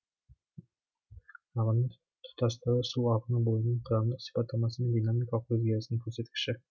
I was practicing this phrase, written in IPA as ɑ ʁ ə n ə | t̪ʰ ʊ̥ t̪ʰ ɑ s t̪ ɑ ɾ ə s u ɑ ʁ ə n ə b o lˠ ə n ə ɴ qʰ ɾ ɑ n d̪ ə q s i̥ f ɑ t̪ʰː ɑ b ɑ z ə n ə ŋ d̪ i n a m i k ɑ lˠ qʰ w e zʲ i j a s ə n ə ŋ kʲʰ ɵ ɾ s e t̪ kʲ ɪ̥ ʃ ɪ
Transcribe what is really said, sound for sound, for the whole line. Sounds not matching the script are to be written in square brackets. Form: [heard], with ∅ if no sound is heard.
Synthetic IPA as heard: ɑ ʁ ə n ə | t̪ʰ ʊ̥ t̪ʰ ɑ s t̪ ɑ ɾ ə s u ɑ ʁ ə n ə b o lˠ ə n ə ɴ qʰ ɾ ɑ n d̪ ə q s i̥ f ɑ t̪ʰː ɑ [m] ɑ [s] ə n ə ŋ d̪ i n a m i k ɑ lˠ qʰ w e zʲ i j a s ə n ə ŋ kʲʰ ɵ ɾ s e t̪ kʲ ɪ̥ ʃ ɪ